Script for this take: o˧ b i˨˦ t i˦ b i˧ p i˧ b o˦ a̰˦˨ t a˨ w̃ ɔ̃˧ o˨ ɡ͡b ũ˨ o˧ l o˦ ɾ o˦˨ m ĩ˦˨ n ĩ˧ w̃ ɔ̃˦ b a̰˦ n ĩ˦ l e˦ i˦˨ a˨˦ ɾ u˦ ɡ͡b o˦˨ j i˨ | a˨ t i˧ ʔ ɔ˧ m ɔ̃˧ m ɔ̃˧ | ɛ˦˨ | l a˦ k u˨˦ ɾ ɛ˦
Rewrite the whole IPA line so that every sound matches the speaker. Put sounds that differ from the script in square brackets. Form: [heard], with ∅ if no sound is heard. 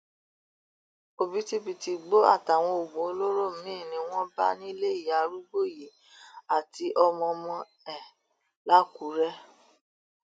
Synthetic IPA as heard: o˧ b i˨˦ t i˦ b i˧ [t] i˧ [ɡ͡b] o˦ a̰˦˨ t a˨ w̃ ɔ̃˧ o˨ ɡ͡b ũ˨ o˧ l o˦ ɾ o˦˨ m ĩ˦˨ n ĩ˧ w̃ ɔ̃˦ b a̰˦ n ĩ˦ l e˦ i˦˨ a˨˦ ɾ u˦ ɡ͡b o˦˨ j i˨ | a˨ t i˧ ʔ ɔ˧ m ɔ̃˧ m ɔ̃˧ | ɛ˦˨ | l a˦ k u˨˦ ɾ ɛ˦